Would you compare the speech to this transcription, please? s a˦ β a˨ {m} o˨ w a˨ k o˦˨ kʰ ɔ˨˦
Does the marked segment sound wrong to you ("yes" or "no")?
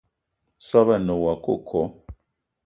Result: yes